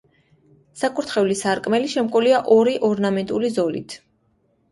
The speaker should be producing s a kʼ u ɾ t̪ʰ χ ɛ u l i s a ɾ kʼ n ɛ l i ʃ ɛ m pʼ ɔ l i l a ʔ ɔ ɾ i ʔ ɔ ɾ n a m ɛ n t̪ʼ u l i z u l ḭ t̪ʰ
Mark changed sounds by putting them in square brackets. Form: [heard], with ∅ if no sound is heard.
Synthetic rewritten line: s a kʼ u ɾ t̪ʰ χ ɛ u l i s a ɾ kʼ [m] ɛ l i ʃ ɛ m [kʼ] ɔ l i [∅] a ʔ ɔ ɾ i ʔ ɔ ɾ n a m ɛ n t̪ʼ u l i z [ɔ] l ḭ t̪ʰ